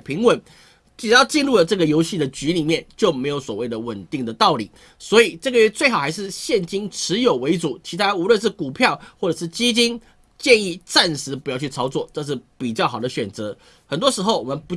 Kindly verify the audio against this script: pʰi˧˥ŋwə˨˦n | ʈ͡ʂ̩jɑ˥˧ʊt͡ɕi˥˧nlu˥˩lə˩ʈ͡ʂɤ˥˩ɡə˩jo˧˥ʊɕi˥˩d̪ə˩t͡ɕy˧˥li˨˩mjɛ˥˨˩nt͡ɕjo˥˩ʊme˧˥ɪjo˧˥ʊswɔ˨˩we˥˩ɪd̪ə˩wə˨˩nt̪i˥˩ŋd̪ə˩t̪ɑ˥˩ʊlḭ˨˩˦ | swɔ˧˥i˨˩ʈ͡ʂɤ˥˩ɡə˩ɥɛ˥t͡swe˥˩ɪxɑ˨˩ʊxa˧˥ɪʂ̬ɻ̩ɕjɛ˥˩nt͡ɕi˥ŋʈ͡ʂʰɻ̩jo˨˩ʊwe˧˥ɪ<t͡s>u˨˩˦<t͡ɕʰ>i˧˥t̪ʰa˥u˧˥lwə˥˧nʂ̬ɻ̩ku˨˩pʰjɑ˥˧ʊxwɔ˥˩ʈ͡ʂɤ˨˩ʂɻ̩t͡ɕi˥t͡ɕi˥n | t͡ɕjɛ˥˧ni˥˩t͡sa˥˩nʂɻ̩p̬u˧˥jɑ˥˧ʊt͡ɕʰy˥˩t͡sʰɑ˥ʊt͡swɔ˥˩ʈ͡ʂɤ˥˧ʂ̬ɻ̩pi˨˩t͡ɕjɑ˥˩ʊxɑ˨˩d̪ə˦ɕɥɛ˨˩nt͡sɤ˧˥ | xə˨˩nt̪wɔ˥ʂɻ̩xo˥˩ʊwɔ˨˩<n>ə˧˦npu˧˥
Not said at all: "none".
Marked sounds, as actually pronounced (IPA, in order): t͡s, t͡ɕʰ, m

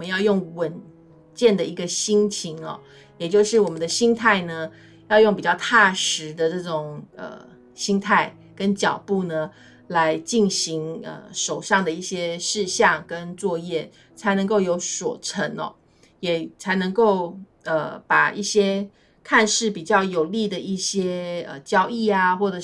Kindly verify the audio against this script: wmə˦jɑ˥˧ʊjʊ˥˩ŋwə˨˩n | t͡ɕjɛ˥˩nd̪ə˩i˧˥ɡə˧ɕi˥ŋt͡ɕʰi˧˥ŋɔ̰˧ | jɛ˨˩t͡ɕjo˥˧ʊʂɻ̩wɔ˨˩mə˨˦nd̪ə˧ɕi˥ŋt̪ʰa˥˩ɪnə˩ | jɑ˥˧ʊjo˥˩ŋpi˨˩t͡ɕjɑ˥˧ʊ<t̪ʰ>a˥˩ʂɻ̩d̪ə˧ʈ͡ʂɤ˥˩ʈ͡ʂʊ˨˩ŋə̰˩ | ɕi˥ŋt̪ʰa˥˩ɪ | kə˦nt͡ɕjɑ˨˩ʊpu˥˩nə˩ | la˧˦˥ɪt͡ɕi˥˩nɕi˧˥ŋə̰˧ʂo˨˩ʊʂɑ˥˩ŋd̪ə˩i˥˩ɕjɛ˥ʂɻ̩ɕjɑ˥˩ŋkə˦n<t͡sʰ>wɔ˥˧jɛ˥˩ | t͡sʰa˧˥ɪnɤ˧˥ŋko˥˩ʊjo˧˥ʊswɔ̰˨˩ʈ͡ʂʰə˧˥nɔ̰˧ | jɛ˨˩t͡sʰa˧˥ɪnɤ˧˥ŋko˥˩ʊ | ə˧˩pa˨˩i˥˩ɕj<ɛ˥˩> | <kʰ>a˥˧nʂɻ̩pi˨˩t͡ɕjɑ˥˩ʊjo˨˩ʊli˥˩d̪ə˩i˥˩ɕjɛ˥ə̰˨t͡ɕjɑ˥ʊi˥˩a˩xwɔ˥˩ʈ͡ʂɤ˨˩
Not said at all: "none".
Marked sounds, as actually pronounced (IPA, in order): t̪ʰ, t͡s, ɛ˥, kʰ

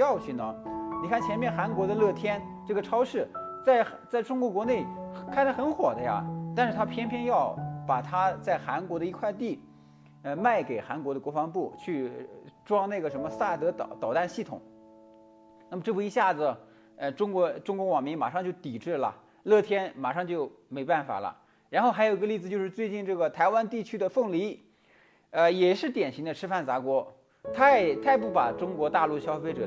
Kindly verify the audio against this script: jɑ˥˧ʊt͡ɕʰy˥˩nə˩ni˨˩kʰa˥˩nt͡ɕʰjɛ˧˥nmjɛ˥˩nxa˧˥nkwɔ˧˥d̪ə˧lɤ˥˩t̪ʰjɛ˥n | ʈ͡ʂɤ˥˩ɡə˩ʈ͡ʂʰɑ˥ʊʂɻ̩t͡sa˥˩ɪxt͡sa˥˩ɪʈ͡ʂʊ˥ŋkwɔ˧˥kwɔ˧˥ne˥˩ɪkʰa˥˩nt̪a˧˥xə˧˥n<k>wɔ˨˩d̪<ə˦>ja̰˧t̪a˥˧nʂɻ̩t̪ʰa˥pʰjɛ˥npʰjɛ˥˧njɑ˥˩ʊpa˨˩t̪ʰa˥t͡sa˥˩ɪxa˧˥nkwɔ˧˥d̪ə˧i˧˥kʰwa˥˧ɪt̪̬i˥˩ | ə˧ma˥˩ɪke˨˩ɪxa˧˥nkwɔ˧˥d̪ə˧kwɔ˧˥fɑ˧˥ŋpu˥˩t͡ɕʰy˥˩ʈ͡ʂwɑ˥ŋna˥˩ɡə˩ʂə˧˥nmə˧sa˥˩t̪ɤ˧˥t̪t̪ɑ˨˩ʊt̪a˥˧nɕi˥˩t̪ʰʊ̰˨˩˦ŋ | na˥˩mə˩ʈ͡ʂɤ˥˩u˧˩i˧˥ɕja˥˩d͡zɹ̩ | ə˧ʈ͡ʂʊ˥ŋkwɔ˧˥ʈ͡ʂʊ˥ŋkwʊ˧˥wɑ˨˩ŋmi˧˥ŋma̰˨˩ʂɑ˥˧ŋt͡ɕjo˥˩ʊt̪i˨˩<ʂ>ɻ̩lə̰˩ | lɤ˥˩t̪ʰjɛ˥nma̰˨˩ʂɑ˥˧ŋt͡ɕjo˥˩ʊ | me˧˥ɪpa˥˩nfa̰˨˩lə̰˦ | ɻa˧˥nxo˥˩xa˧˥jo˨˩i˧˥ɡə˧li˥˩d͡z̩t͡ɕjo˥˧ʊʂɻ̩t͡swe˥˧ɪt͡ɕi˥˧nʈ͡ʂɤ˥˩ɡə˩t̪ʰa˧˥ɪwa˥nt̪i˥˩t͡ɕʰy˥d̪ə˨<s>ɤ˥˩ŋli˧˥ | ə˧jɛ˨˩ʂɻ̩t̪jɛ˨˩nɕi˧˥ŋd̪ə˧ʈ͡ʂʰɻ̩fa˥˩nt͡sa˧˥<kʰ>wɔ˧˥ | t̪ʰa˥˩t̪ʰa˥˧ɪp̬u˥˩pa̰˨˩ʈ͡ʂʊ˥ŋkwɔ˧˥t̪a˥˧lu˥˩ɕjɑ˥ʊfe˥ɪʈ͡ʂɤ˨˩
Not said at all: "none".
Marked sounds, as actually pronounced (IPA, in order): x, ə˦, ʈ͡ʂ, f, k

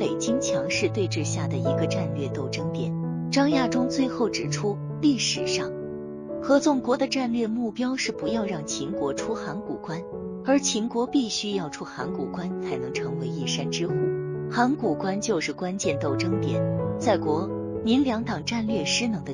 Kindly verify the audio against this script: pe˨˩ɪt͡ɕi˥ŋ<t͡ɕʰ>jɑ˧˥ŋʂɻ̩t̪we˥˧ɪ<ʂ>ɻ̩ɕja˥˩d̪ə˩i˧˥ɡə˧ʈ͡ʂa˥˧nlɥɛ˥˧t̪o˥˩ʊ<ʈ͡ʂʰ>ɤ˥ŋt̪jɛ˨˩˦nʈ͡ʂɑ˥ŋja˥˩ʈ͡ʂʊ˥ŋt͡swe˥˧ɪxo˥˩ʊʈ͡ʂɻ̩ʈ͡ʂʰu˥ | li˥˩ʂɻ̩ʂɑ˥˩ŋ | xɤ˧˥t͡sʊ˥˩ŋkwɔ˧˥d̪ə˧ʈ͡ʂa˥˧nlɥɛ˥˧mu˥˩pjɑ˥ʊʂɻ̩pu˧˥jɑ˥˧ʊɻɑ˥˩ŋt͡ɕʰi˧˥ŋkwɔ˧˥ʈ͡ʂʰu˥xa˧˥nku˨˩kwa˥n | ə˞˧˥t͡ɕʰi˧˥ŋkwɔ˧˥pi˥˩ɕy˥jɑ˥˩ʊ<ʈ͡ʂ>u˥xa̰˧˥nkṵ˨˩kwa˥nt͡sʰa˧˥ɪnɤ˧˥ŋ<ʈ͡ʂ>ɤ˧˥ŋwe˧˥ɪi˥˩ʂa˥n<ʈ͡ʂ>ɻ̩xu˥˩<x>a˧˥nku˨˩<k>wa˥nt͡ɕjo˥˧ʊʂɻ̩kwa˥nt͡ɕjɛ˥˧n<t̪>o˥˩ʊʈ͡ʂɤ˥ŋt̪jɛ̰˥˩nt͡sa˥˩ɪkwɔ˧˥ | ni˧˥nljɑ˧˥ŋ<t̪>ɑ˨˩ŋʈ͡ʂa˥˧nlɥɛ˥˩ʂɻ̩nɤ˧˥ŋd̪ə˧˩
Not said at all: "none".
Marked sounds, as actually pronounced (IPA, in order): t͡ɕʰ, ʈ͡ʂ, ʈ͡ʂ, ʈ͡ʂʰ, ʈ͡ʂʰ, ʈ͡ʂ, x, k, t̪, t̪

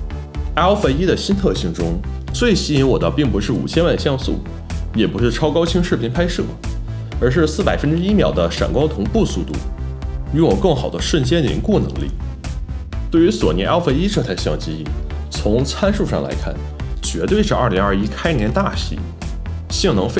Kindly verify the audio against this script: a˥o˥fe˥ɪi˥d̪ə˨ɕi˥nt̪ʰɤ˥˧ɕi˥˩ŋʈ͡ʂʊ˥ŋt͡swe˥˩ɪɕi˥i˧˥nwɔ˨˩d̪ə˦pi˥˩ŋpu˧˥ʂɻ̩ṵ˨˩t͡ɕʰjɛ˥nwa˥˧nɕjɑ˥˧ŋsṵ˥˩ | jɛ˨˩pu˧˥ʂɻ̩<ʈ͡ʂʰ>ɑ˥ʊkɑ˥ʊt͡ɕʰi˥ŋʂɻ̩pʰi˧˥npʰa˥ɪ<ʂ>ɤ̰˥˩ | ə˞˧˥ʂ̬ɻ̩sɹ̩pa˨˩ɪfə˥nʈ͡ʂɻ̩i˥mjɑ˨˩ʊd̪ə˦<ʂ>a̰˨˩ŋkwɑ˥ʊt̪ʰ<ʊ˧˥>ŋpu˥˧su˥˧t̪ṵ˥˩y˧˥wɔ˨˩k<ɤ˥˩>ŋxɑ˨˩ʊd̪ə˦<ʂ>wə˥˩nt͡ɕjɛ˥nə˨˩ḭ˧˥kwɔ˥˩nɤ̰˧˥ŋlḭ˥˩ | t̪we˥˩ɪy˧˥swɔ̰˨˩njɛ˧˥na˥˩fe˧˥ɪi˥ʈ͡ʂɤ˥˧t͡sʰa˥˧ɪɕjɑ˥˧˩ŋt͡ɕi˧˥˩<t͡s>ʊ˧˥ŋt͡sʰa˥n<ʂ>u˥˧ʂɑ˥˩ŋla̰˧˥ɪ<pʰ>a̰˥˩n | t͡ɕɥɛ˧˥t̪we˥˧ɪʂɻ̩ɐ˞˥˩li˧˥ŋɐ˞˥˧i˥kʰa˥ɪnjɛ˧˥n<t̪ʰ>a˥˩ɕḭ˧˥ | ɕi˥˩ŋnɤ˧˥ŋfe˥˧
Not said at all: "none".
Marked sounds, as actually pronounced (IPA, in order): ʈ͡ʂʰ, ʂ, ʂ, ʊ˧˥, ɤ˥˩, ʂ, t͡sʰ, ʂ, kʰ, t̪

